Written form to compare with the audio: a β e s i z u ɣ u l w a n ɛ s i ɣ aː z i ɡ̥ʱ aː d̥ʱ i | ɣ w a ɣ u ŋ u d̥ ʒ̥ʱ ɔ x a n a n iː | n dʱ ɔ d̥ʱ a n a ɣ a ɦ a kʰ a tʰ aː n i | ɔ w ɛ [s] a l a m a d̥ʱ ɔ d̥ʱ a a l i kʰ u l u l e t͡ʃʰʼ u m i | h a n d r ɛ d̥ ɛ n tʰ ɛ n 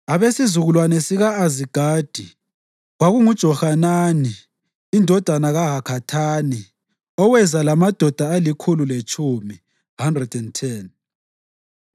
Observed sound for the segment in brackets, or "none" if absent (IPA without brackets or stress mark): z